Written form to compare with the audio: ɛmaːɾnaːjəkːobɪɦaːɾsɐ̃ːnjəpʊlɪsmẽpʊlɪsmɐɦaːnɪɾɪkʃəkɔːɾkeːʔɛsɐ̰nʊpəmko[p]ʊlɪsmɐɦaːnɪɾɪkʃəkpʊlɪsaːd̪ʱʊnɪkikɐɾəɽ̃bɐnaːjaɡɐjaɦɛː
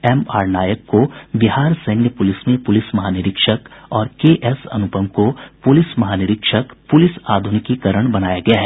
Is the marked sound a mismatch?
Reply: no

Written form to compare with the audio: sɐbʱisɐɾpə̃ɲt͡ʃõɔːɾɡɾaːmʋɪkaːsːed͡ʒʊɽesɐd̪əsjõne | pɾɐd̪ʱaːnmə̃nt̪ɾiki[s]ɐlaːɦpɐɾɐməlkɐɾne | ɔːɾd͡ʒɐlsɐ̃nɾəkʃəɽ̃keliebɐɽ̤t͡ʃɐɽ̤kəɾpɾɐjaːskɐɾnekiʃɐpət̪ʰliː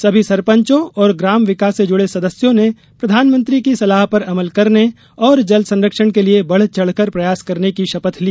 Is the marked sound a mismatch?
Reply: no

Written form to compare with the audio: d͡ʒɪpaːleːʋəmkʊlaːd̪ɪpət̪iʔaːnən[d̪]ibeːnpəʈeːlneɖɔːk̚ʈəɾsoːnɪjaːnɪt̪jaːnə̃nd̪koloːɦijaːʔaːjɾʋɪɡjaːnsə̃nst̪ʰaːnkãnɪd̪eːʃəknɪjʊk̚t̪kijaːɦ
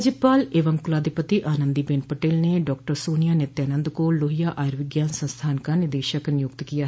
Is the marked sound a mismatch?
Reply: no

